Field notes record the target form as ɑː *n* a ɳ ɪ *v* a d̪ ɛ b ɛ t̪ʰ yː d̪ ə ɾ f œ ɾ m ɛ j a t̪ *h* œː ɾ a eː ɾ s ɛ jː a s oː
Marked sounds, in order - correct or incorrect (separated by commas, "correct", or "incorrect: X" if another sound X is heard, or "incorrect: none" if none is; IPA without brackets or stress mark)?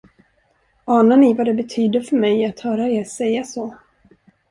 correct, correct, correct